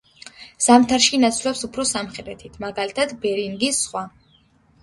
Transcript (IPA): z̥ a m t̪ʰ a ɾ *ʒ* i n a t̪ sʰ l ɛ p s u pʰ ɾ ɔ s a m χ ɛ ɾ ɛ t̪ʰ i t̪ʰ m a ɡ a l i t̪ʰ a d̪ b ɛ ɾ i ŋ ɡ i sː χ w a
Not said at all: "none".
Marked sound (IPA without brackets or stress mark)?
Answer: ʃ